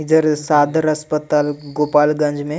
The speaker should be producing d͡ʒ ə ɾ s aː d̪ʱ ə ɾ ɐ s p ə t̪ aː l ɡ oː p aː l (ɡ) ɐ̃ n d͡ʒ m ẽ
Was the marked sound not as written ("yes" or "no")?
no